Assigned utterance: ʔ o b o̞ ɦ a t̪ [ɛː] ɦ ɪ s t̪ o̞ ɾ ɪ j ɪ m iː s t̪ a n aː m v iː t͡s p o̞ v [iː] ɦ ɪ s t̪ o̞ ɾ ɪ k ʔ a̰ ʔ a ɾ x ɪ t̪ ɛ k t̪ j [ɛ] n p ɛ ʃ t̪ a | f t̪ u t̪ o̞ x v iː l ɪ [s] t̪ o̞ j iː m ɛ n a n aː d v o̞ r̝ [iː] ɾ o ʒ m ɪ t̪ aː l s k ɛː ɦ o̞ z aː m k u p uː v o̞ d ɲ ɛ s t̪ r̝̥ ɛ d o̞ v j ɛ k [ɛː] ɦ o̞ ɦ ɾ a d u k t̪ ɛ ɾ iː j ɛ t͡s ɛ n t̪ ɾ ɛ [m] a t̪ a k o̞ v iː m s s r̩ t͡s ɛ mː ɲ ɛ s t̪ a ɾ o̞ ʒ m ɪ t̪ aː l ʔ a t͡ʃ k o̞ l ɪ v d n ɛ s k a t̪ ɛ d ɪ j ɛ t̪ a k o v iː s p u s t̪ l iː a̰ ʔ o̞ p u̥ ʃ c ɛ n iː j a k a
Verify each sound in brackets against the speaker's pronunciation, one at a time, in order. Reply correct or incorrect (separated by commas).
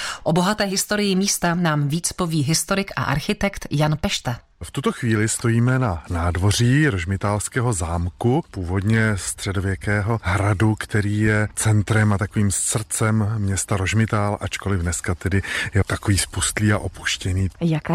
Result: correct, correct, incorrect, correct, correct, correct, correct